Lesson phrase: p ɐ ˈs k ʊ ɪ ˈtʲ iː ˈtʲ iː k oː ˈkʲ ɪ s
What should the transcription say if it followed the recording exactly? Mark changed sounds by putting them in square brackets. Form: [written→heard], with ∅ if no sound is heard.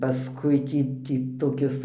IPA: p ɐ ˈs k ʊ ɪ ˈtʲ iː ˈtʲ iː [k→t] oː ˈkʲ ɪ s